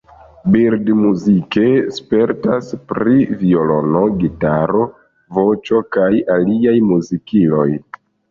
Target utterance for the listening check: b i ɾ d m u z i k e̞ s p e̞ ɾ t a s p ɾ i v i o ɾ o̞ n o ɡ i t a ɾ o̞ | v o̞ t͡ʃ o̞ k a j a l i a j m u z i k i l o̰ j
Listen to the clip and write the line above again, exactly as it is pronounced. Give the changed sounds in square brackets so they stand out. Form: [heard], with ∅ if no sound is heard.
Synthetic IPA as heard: b i ɾ d m u z i k e̞ s p e̞ ɾ t a s p ɾ i v i o [l] o̞ n o ɡ i t a ɾ o̞ | v o̞ t͡ʃ o̞ k a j a l i a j m u z i k i l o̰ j